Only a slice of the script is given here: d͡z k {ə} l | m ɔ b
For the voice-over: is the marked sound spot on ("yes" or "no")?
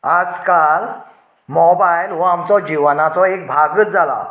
no